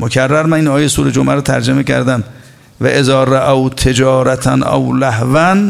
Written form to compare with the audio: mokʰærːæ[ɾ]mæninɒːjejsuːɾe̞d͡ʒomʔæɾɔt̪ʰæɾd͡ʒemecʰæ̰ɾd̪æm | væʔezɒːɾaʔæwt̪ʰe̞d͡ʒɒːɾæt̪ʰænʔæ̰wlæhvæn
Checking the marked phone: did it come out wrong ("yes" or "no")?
no